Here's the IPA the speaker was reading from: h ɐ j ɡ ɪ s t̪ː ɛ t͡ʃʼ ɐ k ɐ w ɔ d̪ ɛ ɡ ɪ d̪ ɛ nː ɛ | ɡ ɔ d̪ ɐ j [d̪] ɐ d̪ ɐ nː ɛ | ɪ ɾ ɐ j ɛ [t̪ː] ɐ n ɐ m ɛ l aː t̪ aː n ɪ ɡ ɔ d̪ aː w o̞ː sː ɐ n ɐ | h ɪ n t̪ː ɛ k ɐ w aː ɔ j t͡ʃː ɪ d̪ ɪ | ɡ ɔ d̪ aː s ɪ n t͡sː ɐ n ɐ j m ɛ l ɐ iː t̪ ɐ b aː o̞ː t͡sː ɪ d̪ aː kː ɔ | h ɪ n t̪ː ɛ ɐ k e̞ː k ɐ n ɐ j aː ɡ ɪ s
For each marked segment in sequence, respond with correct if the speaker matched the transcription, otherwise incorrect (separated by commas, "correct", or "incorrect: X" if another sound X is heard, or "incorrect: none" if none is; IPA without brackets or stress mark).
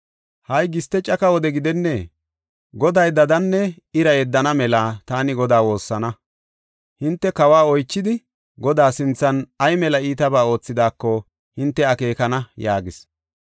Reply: correct, incorrect: d̪ː